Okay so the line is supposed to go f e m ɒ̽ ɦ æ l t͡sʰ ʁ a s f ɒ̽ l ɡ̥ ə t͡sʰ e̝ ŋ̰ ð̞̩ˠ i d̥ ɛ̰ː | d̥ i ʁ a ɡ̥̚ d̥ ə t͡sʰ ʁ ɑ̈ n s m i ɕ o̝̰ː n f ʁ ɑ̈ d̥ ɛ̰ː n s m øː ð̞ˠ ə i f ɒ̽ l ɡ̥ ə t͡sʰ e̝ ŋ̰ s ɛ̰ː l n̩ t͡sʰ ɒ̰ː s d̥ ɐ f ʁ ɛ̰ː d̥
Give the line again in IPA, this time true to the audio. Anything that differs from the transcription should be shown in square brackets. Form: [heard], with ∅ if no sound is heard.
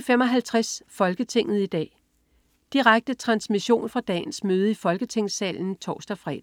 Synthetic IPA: f e m ɒ̽ ɦ æ l t͡sʰ ʁ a s f ɒ̽ l ɡ̥ ə t͡sʰ e̝ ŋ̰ ð̞̩ˠ i d̥ ɛ̰ː | d̥ i ʁ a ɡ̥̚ d̥ ə t͡sʰ ʁ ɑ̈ n s m i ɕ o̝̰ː n f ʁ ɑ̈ d̥ ɛ̰ː n s m øː ð̞ˠ ə i f ɒ̽ l ɡ̥ ə t͡sʰ e̝ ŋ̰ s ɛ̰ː l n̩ t͡sʰ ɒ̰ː s d̥ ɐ f ʁ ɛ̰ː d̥